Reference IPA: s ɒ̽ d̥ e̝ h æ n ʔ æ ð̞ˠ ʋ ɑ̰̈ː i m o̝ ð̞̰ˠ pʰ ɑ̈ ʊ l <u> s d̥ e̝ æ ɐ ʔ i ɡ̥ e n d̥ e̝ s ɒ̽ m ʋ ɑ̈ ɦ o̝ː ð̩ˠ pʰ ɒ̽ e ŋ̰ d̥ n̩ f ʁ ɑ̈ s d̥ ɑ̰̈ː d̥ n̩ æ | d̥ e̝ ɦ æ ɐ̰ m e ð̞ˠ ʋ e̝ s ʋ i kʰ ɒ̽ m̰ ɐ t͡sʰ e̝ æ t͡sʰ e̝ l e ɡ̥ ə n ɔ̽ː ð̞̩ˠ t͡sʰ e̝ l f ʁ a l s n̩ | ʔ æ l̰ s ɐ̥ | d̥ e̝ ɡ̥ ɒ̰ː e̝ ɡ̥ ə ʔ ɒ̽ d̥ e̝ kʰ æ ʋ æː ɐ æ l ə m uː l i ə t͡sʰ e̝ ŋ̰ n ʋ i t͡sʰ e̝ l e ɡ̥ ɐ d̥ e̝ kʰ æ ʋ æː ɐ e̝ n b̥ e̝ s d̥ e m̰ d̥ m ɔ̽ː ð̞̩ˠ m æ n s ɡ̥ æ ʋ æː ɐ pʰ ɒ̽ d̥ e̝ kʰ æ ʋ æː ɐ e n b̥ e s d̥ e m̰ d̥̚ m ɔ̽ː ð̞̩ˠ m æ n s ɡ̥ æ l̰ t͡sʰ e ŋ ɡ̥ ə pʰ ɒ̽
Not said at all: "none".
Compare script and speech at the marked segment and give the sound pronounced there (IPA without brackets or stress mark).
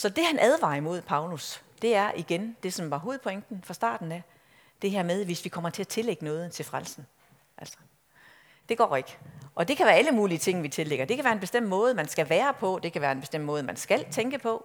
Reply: u